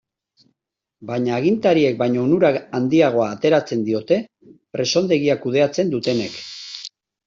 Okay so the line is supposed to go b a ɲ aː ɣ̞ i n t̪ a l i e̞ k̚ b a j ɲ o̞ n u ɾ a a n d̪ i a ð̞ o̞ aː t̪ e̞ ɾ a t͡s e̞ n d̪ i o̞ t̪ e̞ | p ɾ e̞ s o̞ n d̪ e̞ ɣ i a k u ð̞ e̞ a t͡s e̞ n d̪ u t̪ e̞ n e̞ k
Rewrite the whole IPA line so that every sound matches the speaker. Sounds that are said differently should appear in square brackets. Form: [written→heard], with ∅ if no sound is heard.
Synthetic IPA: b a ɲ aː ɣ̞ i n t̪ a [l→ɾ] i e̞ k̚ b a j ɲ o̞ n u ɾ a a n d̪ i a [ð̞→ɣ̞] o̞ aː t̪ e̞ ɾ a t͡s e̞ n d̪ i o̞ t̪ e̞ | p ɾ e̞ s o̞ n d̪ e̞ ɣ i a k u ð̞ e̞ a t͡s e̞ n d̪ u t̪ e̞ n e̞ k